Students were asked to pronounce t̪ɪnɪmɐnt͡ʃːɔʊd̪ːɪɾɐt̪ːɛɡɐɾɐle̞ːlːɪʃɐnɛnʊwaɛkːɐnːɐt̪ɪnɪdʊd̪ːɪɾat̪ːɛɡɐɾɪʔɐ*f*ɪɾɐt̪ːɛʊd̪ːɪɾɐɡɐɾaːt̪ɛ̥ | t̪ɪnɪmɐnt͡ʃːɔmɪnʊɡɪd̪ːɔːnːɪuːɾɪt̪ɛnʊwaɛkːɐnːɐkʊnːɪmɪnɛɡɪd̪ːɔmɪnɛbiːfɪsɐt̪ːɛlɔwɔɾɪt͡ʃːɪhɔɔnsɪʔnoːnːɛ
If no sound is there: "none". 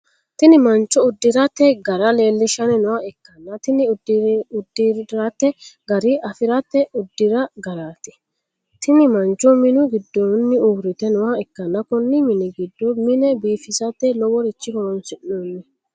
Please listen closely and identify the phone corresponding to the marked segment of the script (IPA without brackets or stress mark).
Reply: f